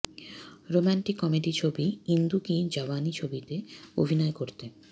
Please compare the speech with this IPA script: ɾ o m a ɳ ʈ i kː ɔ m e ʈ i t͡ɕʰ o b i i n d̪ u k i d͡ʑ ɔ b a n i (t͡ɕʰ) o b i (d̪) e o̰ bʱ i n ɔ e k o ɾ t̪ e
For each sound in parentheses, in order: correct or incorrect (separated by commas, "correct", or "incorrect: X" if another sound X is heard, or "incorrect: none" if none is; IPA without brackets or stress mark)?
correct, incorrect: t̪